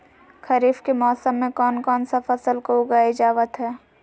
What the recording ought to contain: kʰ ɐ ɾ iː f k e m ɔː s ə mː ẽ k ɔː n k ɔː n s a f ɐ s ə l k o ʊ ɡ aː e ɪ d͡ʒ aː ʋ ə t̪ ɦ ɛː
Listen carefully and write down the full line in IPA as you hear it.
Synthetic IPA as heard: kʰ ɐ ɾ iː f k e m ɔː s ə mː ẽ k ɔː n k ɔː n s a f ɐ s ə l k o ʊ ɡ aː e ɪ d͡ʒ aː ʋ ə t̪ ɦ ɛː